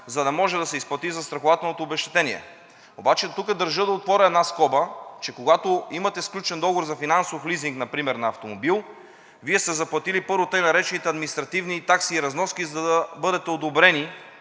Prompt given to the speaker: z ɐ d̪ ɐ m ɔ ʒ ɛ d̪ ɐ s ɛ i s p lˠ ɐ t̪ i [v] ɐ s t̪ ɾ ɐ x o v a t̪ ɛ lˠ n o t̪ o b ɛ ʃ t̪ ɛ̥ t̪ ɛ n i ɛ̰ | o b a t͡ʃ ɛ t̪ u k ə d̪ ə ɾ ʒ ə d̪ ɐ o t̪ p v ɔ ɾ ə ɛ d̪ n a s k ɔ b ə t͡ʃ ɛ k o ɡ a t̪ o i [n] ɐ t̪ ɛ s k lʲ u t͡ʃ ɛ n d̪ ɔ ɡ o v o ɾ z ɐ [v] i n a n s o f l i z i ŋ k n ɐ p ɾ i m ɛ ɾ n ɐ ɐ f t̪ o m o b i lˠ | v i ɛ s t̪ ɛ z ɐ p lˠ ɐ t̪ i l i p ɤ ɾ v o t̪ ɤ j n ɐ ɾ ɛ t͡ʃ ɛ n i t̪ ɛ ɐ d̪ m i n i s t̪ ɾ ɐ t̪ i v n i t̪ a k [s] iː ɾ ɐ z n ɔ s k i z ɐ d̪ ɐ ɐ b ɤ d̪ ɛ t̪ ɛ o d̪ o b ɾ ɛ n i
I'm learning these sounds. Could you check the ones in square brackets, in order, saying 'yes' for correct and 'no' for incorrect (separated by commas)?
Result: no, no, no, yes